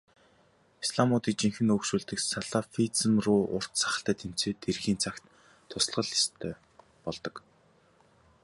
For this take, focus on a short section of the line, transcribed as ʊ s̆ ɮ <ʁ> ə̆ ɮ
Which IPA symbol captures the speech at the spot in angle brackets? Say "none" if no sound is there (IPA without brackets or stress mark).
ʁ